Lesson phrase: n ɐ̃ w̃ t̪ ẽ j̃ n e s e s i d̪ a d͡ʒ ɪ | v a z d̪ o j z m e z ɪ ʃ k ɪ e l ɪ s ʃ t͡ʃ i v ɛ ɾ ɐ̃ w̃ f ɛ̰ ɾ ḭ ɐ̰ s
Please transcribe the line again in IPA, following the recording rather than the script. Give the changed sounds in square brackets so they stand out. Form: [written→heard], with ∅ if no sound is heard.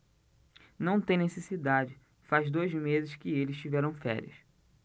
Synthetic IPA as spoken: n ɐ̃ w̃ t̪ ẽ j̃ n e s e s i d̪ a d͡ʒ ɪ | [v→f] a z d̪ o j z m e z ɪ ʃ k ɪ e l ɪ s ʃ t͡ʃ i v ɛ ɾ ɐ̃ w̃ f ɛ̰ ɾ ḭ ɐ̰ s